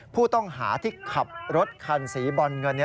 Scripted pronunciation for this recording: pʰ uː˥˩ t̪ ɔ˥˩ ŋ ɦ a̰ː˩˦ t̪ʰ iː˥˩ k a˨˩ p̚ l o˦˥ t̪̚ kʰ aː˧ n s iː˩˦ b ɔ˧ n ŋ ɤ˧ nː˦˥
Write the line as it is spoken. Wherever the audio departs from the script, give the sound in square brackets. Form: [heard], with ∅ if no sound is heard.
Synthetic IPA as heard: pʰ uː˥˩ t̪ ɔ˥˩ ŋ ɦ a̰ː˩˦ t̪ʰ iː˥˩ [kʰ] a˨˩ p̚ [ɾ] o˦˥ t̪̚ kʰ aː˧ n s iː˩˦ b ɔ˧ n ŋ ɤ˧ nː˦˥